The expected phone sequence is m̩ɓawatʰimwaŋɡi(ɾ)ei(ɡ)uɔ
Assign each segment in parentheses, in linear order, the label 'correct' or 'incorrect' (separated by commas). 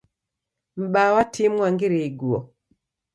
correct, correct